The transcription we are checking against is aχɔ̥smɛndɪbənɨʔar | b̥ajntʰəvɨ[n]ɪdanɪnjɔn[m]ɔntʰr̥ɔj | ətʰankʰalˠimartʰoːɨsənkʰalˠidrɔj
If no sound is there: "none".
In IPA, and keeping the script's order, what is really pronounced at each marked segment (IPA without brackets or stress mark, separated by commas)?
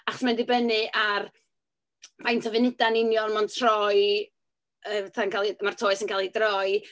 n, m